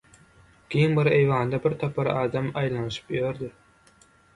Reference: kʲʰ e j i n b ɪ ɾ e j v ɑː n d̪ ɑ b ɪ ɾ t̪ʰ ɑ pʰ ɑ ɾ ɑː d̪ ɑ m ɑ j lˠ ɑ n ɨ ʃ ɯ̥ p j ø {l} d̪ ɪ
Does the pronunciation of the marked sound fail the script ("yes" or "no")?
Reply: yes